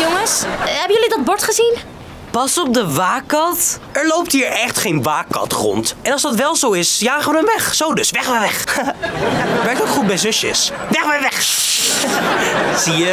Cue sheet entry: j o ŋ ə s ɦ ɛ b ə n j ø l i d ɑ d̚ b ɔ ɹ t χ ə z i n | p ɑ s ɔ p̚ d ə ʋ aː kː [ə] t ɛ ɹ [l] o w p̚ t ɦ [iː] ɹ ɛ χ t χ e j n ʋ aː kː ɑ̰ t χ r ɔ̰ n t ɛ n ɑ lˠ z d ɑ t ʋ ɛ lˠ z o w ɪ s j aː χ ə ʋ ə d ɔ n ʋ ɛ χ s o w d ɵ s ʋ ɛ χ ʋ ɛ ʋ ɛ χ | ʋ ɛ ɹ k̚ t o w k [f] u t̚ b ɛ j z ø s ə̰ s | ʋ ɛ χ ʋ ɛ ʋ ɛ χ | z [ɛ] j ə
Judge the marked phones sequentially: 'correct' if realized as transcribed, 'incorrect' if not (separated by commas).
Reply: incorrect, correct, correct, incorrect, incorrect